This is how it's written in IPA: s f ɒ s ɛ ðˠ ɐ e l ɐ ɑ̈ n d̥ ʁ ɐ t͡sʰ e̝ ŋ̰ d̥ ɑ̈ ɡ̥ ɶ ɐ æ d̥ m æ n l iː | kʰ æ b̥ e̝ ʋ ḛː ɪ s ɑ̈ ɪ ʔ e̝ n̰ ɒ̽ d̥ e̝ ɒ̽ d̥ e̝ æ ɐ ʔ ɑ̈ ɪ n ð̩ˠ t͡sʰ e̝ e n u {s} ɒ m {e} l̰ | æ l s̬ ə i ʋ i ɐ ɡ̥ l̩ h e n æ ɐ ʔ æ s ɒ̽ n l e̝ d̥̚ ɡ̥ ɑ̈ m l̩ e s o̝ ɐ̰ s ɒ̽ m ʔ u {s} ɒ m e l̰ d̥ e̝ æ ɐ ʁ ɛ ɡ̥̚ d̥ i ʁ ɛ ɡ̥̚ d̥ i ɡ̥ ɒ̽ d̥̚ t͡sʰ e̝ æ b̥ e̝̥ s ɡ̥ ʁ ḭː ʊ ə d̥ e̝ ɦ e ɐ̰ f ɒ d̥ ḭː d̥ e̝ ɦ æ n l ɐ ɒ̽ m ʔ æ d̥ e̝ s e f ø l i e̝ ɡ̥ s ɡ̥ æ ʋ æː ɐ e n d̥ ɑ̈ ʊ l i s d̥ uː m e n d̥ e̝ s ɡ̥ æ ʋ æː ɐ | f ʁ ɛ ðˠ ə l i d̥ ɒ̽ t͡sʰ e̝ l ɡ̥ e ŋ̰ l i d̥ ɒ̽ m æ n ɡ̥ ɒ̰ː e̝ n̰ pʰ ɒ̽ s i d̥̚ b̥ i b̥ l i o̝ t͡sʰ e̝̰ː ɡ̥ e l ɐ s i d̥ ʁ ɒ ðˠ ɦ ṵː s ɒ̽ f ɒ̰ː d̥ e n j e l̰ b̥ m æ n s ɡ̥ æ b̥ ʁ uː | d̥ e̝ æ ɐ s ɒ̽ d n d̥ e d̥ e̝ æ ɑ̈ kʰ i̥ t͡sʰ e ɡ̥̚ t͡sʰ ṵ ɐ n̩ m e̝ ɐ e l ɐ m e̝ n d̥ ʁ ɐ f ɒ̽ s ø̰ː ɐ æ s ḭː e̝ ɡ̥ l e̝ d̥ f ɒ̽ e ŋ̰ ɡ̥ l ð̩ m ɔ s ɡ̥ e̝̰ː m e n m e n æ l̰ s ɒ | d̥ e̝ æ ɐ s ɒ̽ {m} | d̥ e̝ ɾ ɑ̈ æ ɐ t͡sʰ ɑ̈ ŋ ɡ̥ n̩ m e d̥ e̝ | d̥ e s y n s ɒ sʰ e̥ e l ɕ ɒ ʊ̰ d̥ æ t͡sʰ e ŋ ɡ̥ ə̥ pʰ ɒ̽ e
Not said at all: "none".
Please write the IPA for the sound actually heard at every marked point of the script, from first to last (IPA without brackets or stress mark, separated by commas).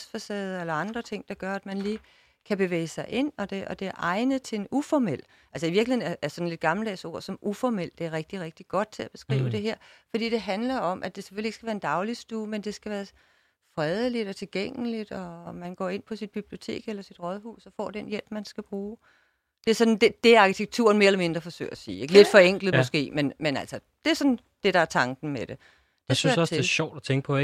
f, e, f, n